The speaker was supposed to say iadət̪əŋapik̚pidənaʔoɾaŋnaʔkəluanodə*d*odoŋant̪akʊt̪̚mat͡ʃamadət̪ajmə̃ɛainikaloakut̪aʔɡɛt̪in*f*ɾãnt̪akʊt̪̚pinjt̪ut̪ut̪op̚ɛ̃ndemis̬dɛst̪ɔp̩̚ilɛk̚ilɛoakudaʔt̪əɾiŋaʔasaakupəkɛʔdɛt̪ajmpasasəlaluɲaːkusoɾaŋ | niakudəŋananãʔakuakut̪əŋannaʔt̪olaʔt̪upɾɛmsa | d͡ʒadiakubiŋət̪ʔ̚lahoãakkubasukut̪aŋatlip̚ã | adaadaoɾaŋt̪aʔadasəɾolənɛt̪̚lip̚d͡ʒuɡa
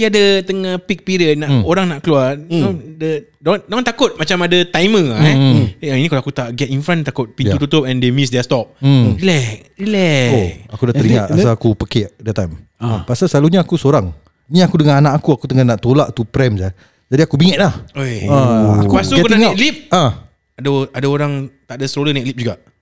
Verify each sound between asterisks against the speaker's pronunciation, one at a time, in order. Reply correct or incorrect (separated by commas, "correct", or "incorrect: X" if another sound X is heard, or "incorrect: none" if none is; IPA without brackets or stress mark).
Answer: correct, correct